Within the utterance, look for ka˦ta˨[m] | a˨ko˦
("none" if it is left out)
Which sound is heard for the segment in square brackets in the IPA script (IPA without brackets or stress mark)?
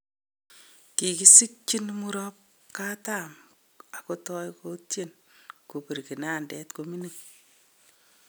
m